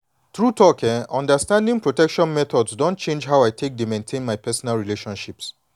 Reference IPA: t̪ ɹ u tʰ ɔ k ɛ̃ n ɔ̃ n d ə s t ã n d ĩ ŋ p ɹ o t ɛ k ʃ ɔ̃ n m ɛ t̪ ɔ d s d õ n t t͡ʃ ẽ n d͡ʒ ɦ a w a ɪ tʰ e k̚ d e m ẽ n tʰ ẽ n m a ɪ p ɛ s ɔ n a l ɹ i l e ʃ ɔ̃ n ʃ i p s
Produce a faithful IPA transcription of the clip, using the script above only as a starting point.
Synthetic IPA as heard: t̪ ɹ u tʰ ɔ k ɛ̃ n ɔ̃ n d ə s t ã n d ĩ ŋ p ɹ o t ɛ k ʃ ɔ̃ n m ɛ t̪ ɔ d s d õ n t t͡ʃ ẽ n d͡ʒ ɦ a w a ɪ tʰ e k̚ d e m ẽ n tʰ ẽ n m a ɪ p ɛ s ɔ n a l ɹ i l e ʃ ɔ̃ n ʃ i p s